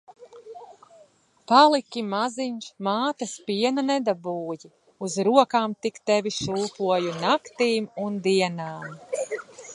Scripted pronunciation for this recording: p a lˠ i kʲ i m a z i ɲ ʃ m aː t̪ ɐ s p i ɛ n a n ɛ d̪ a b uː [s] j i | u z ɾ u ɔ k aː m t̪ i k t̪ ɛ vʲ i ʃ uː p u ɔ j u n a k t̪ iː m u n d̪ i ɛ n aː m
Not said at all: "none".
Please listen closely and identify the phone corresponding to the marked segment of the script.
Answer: none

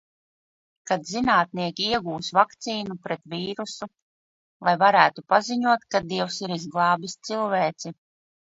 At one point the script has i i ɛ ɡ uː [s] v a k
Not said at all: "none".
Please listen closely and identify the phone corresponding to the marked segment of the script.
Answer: s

